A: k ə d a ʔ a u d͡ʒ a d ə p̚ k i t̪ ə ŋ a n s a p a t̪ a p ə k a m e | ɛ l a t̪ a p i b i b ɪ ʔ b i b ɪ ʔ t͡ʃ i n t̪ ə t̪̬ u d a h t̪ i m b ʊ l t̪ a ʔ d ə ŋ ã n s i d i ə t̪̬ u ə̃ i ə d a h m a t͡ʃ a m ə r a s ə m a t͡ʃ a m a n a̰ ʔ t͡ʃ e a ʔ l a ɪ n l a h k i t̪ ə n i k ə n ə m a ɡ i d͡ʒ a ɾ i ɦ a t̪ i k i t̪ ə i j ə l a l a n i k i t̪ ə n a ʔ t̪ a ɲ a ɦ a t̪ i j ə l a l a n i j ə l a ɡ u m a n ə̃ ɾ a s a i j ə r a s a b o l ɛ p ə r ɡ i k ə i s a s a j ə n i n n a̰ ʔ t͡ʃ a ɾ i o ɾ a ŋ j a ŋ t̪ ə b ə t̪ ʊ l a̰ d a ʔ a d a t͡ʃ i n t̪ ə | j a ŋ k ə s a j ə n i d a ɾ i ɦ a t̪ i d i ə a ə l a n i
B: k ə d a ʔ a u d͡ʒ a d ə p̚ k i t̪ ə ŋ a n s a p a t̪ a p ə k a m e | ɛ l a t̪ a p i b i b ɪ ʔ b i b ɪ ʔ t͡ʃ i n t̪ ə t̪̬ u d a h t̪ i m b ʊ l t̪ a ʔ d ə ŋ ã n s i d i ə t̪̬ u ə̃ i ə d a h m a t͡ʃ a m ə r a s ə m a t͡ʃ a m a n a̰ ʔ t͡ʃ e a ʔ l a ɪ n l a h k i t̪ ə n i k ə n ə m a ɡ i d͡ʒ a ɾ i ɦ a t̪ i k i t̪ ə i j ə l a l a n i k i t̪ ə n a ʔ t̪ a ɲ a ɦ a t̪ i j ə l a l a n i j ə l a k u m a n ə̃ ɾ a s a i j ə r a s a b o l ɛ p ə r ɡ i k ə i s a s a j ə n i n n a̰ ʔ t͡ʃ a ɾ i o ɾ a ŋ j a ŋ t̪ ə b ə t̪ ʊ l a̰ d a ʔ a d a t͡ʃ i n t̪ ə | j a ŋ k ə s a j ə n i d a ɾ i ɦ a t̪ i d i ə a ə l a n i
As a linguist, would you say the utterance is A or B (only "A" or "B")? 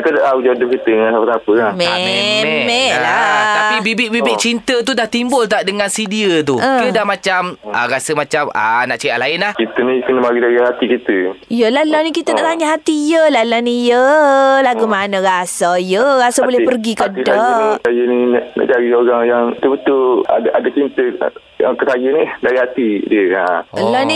A